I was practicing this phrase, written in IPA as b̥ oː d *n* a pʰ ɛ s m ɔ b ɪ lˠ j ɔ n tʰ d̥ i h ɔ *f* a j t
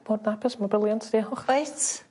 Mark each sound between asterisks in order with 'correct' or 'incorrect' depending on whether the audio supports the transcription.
correct, incorrect

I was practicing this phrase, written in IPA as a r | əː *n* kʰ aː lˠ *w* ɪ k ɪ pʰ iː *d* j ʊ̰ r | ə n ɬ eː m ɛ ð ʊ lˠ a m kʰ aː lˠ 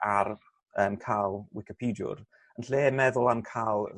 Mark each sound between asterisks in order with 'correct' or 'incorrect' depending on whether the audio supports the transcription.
incorrect, correct, correct

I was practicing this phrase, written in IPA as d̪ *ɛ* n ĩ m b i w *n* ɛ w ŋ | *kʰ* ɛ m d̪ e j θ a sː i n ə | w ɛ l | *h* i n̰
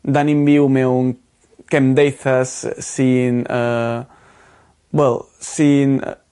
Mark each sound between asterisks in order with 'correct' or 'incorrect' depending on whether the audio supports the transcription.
incorrect, incorrect, incorrect, incorrect

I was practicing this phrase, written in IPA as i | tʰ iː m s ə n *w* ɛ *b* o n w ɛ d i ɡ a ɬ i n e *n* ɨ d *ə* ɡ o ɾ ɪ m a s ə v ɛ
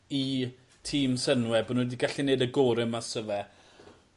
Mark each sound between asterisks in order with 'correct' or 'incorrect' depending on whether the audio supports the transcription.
correct, correct, incorrect, correct

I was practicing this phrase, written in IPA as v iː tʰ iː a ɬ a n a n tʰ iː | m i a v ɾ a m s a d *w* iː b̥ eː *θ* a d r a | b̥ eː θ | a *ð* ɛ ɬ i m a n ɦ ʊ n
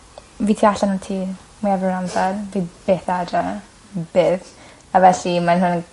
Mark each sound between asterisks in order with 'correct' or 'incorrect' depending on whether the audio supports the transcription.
incorrect, correct, incorrect

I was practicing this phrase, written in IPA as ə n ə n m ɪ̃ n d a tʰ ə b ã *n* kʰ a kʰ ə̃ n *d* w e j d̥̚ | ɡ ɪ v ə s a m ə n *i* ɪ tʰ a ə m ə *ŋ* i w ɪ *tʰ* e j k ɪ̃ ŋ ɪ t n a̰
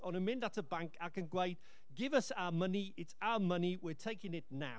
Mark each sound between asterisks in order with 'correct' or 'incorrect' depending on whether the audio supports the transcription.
incorrect, incorrect, correct, incorrect, correct

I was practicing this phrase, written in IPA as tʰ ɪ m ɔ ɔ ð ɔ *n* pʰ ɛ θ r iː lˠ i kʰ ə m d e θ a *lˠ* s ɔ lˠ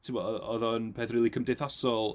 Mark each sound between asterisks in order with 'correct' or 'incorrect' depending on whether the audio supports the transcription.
correct, incorrect

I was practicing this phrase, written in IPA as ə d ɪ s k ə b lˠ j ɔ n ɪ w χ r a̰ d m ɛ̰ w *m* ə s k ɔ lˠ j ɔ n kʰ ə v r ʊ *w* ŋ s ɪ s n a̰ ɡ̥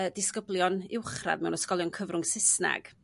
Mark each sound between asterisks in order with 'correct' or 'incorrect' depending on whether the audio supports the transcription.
incorrect, incorrect

